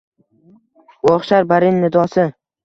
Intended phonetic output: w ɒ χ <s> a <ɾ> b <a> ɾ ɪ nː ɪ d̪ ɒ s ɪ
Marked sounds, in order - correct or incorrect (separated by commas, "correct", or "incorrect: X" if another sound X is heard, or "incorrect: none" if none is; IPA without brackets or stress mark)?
incorrect: ʃ, correct, correct